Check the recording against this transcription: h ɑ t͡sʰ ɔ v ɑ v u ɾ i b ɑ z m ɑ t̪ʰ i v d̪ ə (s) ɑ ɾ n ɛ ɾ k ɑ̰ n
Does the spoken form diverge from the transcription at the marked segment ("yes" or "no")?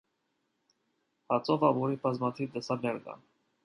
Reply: no